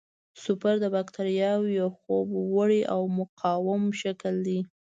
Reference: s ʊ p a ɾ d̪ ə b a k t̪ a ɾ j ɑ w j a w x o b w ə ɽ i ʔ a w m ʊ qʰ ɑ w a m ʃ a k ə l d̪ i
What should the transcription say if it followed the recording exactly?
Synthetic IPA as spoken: s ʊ p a ɾ d̪ ə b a k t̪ a ɾ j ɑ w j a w x o b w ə ɽ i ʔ a w m ʊ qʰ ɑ w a m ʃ a k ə l d̪ i